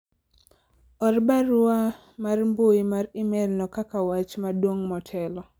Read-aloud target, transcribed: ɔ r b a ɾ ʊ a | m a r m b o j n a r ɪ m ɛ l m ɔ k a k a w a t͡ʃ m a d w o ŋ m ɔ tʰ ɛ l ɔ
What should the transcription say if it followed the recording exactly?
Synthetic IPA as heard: ɔ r b a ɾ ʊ a | m a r m b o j m a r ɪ m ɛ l n ɔ k a k a w a t͡ʃ m a d w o ŋ m ɔ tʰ ɛ l ɔ